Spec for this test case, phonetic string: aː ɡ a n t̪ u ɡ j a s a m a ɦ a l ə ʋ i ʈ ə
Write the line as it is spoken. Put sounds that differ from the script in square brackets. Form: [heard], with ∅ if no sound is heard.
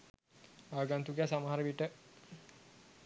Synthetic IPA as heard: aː ɡ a n t̪ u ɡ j a s a m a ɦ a [ɾ] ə ʋ i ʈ ə